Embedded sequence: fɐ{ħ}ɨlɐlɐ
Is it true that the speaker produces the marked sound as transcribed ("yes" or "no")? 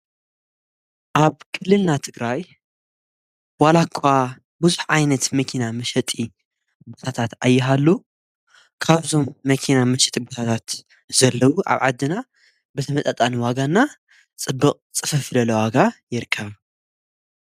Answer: no